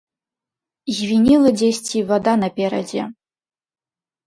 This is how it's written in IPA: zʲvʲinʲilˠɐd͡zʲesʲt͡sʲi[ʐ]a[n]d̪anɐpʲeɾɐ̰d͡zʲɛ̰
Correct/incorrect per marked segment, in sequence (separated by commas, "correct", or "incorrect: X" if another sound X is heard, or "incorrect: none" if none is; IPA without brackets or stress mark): incorrect: v, incorrect: none